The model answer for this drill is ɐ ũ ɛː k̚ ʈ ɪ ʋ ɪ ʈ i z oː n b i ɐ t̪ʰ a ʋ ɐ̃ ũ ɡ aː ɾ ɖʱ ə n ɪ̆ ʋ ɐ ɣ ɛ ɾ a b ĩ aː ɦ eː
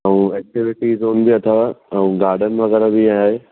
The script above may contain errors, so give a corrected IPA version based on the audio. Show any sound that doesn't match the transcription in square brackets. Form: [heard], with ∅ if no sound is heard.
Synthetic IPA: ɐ ũ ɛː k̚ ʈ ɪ ʋ ɪ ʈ i z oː n b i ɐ t̪ʰ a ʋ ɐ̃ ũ ɡ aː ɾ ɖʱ ə n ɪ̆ ʋ ɐ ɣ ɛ ɾ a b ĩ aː ɦ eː